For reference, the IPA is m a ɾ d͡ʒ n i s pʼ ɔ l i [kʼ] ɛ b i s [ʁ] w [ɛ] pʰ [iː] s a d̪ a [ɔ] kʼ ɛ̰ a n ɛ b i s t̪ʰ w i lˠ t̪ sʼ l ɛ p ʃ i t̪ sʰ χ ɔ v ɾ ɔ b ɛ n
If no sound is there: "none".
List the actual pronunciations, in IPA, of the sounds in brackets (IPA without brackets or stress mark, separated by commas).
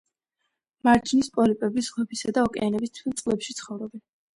pʼ, ʁ, ɛ, i, ɔ